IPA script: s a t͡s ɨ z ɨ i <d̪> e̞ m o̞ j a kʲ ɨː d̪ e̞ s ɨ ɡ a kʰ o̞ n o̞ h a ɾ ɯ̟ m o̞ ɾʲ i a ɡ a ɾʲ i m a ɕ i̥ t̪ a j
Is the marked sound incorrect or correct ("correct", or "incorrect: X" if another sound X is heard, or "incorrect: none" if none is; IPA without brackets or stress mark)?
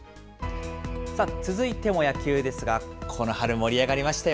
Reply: incorrect: t̪